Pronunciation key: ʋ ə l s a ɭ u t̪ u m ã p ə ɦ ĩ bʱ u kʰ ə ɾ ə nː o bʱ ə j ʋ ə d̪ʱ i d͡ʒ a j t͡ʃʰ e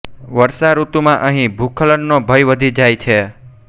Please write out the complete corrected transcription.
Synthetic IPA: ʋ ə ɾ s a ɾ u t̪ u m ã ʔ ə ɦ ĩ bʱ u kʰ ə l ə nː o bʱ ə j ʋ ə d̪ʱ i d͡ʒ a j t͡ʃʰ e